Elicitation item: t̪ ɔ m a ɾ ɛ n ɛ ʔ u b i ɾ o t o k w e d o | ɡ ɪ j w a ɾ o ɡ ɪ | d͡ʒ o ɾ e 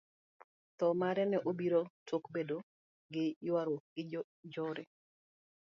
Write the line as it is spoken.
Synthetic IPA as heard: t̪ ɔ m a ɾ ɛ n ɛ ʔ o b i ɾ o t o k b e d o | ɡ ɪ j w a ɾ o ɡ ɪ | d͡ʒ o ɾ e